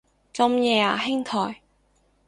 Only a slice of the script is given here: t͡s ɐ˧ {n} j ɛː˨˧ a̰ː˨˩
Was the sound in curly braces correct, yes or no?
no